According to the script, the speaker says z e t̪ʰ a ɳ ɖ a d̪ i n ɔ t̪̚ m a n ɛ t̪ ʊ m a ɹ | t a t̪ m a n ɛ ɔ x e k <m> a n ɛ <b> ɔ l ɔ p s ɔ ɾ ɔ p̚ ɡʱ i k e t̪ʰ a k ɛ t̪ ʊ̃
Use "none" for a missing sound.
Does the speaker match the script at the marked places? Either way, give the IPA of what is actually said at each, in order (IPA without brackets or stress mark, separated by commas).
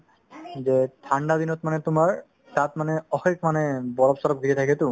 m, b